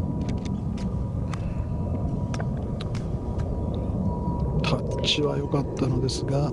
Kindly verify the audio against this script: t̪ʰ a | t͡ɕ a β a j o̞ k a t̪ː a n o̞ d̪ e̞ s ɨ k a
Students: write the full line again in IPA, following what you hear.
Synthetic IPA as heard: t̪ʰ a | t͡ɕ i β a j o̞ k a t̪ː a n o̞ d̪ e̞ s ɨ ɡ a

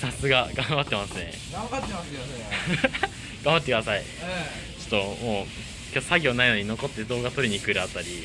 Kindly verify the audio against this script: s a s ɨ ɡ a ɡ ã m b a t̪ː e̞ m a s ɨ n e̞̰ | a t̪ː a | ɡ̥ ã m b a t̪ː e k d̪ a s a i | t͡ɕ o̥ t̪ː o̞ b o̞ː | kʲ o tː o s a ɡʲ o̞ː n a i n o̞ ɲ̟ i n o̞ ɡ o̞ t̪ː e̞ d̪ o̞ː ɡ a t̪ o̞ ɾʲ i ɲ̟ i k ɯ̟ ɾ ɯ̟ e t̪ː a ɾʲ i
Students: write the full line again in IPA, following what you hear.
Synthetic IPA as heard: s a s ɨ ɡ a ɡ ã m b a t̪ː e̞ m a s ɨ n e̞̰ | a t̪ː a | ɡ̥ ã m b a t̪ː e k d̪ a s a i | t͡ɕ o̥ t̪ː o̞ m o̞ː | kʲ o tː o s a ɡʲ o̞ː n a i n o̞ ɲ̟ i n o̞ k o̞ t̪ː e̞ d̪ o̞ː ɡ a t̪ o̞ ɾʲ i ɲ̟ i k ɯ̟ ɾ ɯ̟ a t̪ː a ɾʲ i

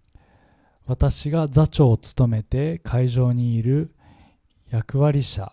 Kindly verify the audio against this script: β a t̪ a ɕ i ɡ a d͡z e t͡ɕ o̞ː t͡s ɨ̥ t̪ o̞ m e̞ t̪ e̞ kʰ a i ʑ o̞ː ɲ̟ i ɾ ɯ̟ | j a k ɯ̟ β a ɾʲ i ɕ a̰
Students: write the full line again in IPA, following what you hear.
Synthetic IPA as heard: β a t̪ a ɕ i ɡ a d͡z a t͡ɕ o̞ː t͡s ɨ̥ t̪ o̞ m e̞ t̪ e̞ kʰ a i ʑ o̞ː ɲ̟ iː ɾ ɯ̟ | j a k ɯ̟ β a ɾʲ i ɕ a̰

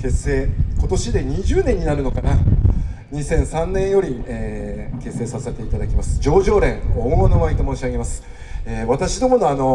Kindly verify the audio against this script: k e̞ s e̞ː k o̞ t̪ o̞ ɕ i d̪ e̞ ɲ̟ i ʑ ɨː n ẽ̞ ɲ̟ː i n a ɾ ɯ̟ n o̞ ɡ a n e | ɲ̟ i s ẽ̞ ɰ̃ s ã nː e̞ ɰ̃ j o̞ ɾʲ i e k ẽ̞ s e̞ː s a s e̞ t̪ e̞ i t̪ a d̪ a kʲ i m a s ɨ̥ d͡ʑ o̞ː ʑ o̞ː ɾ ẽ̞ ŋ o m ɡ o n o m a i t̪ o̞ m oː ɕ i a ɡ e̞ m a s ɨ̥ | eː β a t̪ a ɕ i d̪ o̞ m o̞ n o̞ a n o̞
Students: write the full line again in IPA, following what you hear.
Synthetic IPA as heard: k e̞ s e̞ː k o̞ t̪ o̞ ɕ i d̪ e̞ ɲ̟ i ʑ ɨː n ẽ̞ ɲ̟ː i n a ɾ ɯ̟ n o̞ k a n a | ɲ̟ i s ẽ̞ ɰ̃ s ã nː ẽ̞ ɰ̃ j o̞ ɾʲ i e k e̞ s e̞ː s a s e̞ t̪ e̞ i t̪ a d̪ a kʲ i m a s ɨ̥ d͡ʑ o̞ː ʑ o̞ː ɾ ẽ̞ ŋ o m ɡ o n o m a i t̪ o̞ m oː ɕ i a ɡ e̞ m a s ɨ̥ | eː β a t̪ a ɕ i d̪ o̞ m o̞ n o̞ a n o̞

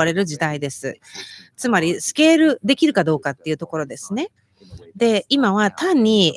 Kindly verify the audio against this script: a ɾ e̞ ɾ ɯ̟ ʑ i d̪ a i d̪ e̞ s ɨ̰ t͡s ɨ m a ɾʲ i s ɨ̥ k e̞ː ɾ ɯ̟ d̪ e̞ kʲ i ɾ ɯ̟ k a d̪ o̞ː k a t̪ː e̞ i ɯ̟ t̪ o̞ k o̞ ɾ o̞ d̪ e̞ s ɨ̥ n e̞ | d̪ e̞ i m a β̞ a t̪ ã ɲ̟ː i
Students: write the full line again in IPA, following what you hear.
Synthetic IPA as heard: a ɾ e̞ ɾ ɯ̟ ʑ i d̪ a i d̪ e̞ s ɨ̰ t͡s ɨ m a ɾʲ i s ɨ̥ k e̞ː ɾ ɯ̟ d̪ e̞ kʲ i ɾ ɯ̟ k a d̪ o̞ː k a t̪ː e̞ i ɯ̟ t̪ o̞ k o̞ ɾ o̞ d̪ e̞ s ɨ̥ n e̞ | d̪ e̞ i m a β̞ a t̪ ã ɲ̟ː i

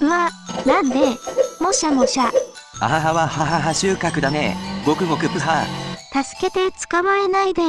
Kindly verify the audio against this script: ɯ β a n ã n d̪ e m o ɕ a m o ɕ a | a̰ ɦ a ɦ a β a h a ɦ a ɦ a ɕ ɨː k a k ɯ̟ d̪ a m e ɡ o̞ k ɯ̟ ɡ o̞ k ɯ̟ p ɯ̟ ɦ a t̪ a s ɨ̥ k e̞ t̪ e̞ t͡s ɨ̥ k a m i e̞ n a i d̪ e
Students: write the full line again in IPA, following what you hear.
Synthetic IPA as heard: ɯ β a n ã n d̪ e m o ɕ a m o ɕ a | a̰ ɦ a ɦ a β a h a ɦ a ɦ a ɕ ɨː k a k ɯ̟ d̪ a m e ɡ o̞ k ɯ̟ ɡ o̞ k ɯ̟ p ɯ̟ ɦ a t̪ a s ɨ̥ k e̞ t̪ e̞ t͡s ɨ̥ k a m a e̞ n a i d̪ e

